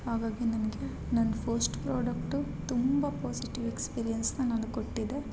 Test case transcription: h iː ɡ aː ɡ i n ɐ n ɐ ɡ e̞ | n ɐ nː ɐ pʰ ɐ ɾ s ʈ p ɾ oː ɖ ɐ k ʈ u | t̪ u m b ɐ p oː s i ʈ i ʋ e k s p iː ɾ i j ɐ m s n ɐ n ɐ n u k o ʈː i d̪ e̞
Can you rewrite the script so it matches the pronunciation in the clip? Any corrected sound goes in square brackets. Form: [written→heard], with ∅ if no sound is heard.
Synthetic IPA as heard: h [iː→aː] ɡ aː ɡ i n ɐ n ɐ ɡ e̞ | n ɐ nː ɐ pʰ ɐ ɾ s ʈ p ɾ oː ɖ ɐ k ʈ u | t̪ u m b ɐ p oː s i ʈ i ʋ e k s p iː ɾ i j ɐ [m→n] s n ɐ n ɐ n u k o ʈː i d̪ e̞